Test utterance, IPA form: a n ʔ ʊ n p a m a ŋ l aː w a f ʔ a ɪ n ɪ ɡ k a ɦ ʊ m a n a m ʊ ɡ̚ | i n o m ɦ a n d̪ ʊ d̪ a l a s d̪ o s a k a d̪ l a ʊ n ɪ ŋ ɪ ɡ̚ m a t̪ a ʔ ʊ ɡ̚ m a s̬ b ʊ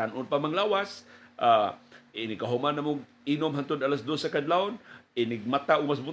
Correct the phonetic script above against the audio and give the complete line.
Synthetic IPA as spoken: a n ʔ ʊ n p a m a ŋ l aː w a s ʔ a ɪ n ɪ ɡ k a ɦ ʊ m a n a m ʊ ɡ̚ | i n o m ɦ a n t̪ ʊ d̪ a l a s d̪ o s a k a d̪ l a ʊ n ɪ n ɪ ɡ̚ m a t̪ a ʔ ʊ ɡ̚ m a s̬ b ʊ